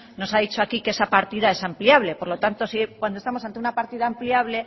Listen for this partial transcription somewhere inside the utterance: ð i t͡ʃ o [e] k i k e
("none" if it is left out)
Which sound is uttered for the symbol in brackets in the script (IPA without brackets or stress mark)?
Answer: a